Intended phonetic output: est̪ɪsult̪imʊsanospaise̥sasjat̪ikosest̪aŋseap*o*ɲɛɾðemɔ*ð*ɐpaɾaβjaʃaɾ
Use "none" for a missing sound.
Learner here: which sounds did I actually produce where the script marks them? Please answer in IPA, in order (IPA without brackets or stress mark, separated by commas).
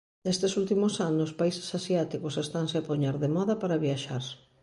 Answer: o, ð